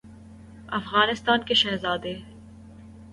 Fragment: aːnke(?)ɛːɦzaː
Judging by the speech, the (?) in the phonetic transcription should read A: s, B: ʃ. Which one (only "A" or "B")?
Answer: B